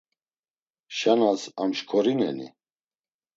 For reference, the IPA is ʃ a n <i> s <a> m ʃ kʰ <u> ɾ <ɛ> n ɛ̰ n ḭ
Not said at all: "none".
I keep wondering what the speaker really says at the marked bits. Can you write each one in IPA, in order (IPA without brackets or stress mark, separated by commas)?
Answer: a, a, ɔ, i